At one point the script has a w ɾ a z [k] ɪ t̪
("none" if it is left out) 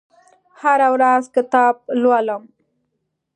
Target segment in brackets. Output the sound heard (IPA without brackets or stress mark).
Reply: k